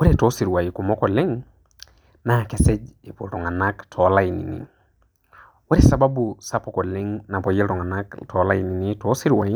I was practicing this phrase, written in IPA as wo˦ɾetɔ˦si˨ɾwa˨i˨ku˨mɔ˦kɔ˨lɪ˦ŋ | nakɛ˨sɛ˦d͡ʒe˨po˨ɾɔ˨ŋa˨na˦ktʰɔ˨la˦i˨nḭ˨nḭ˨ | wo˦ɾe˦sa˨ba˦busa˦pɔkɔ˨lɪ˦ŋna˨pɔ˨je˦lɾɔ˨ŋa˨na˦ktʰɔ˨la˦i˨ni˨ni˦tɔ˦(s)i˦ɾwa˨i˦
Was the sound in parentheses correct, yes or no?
yes